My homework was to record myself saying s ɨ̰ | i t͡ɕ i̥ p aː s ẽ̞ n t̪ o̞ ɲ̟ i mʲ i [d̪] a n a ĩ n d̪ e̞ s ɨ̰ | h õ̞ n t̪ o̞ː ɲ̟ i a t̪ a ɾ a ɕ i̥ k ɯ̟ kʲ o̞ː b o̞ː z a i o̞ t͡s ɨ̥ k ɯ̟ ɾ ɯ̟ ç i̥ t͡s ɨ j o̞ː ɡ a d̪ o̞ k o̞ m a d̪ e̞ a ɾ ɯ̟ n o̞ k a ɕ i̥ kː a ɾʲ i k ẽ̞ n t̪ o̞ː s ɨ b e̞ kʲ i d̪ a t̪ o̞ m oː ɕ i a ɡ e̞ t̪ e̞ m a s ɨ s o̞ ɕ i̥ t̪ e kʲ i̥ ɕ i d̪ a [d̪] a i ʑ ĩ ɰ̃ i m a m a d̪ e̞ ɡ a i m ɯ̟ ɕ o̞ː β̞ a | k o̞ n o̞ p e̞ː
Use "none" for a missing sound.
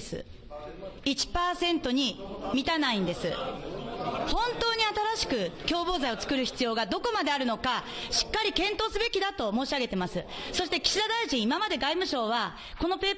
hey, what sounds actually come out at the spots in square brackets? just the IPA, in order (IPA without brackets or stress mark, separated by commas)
t̪, d̪